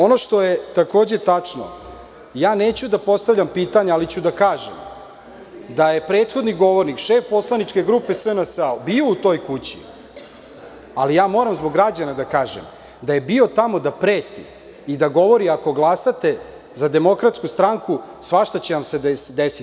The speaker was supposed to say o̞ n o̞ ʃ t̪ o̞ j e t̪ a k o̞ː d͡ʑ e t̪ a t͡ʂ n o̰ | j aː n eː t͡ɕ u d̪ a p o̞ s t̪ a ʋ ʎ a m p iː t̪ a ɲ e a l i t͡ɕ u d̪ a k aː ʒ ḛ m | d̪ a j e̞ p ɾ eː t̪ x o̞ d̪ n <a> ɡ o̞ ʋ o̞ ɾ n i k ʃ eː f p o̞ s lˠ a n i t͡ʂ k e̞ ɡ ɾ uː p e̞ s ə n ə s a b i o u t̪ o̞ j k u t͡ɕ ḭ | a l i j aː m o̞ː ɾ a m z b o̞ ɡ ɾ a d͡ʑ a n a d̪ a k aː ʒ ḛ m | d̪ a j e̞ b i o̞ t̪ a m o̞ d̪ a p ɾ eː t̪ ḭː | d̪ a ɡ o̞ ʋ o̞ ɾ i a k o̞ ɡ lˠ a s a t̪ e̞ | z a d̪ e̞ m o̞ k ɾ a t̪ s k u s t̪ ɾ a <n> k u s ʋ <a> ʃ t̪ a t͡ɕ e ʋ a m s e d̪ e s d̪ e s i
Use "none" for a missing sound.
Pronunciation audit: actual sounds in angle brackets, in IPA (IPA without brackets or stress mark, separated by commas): i, ŋ, a